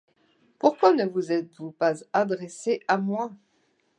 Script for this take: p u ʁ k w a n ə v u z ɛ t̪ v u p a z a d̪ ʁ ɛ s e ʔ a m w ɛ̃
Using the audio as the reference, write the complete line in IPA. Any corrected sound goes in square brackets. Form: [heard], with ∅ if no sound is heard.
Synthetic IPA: p u ʁ k w a n ə v u z ɛ t̪ v u p a z a d̪ ʁ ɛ s e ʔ a m w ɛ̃